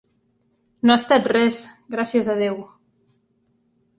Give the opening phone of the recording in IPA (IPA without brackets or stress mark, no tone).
n